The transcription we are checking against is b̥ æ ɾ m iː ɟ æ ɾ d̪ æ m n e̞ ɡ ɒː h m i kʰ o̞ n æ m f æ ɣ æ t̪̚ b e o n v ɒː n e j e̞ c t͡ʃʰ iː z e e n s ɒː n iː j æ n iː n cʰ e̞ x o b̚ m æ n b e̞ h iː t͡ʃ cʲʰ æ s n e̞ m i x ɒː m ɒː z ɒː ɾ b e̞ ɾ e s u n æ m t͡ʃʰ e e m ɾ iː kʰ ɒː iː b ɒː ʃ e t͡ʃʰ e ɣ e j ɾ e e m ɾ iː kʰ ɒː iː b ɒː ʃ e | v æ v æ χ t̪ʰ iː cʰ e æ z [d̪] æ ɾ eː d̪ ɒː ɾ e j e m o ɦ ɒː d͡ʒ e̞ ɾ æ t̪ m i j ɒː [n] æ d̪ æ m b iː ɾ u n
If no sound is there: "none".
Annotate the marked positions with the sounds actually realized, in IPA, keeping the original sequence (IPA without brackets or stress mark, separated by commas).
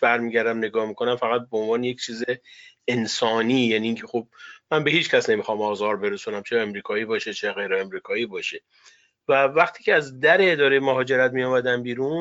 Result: d̪, m